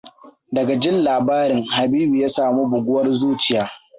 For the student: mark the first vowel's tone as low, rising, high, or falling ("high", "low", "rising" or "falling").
low